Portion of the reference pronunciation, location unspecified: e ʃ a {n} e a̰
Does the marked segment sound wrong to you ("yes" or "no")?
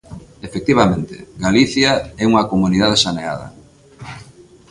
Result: no